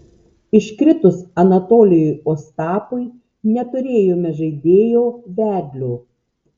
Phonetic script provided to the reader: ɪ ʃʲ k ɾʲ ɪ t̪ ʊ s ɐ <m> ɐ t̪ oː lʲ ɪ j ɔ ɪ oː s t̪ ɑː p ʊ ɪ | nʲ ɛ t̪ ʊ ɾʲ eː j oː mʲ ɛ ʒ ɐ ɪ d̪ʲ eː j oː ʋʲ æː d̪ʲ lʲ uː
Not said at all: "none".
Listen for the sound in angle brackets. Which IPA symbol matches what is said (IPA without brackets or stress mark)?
n